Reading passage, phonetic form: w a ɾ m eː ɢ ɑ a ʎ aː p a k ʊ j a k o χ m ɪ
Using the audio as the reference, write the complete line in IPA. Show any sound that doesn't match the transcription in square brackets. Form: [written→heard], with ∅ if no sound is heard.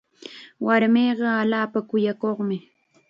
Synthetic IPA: w a ɾ m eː ɢ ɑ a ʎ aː p a k ʊ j a k o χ m ɪ